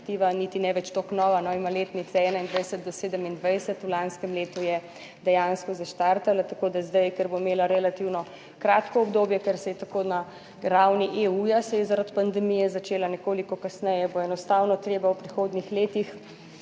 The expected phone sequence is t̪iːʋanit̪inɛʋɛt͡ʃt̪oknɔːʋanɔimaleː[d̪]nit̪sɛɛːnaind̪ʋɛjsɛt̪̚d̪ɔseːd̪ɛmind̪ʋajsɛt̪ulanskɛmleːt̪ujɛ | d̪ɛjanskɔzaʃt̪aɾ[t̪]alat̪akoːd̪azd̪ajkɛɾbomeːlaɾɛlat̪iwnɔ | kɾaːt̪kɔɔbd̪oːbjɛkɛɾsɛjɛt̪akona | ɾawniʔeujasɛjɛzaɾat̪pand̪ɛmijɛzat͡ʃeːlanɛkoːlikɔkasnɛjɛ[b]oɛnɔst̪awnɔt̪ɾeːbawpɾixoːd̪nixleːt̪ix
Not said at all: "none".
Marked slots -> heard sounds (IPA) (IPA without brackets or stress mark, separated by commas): t̪, t̪, b